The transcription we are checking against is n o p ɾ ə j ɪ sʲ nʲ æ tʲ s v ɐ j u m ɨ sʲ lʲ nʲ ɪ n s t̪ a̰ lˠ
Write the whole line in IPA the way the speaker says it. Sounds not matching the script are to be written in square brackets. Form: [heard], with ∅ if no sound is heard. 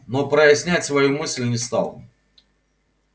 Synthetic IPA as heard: n o p ɾ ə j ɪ sʲ nʲ æ tʲ s v ɐ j u m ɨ sʲ lʲ nʲ ɪ [∅] s t̪ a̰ lˠ